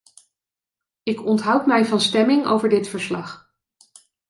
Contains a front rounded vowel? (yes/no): no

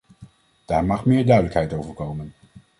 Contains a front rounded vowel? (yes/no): yes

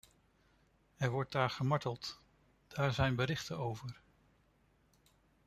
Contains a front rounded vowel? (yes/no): no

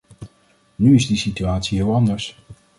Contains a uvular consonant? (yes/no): no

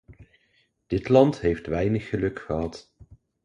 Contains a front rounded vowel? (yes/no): no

